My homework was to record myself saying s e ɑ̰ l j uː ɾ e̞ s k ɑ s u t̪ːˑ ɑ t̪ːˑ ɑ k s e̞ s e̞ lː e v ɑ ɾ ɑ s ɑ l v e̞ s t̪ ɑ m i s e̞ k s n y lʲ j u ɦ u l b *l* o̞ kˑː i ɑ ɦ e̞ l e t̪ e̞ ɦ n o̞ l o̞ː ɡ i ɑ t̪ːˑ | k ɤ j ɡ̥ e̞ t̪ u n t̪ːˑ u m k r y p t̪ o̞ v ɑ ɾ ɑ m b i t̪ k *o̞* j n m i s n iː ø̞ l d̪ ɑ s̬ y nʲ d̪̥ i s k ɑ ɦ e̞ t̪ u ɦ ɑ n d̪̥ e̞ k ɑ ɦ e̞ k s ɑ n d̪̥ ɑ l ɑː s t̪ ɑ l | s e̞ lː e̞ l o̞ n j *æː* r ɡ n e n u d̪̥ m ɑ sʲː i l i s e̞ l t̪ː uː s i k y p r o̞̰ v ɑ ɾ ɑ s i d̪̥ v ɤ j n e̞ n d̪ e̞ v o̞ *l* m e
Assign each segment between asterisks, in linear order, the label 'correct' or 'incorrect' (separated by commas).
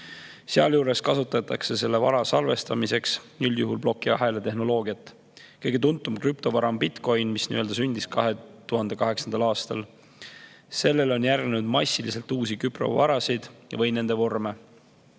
correct, correct, incorrect, incorrect